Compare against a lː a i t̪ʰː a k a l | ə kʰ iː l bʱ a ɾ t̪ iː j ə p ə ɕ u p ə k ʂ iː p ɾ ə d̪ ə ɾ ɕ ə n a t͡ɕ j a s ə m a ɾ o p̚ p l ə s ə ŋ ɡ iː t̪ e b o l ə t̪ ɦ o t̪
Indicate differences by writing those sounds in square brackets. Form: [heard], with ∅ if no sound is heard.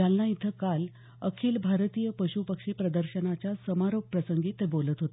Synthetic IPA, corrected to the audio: a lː a i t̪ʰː [ə] k a l | ə kʰ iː l bʱ a ɾ t̪ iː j ə p ə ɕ u p ə k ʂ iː p ɾ ə d̪ ə ɾ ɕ ə n a t͡ɕ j a s ə m a ɾ o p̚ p [ɾ] ə s ə ŋ ɡ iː t̪ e b o l ə t̪ ɦ o t̪